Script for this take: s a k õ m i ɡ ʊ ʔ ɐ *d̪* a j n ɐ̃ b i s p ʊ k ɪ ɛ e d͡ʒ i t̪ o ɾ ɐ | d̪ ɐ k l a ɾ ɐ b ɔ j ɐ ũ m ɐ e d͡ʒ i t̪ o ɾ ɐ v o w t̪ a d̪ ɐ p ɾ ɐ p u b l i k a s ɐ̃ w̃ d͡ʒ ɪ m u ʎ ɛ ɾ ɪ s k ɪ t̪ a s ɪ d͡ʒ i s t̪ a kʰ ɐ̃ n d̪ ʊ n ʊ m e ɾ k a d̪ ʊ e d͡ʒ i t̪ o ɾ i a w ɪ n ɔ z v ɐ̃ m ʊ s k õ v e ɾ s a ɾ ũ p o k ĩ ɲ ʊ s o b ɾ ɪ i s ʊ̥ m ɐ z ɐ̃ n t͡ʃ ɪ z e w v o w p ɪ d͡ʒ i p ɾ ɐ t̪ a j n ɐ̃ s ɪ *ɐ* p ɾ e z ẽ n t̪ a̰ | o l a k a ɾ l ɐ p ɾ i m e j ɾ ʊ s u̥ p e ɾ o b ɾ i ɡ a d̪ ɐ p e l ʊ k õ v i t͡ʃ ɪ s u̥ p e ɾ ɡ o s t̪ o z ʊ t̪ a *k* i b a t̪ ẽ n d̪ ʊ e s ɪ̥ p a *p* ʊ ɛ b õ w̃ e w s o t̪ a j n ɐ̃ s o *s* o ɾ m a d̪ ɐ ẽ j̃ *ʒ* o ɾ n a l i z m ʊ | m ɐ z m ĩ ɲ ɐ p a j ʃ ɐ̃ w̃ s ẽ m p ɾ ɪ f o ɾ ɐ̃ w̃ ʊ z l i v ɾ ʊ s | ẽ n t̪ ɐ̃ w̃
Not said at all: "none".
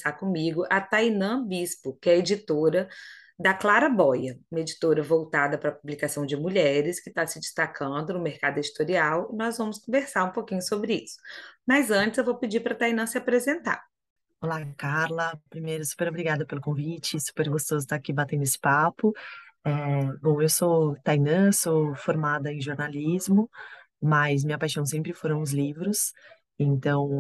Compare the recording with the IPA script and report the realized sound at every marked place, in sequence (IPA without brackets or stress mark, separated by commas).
t̪, a, k, p, f, ʒ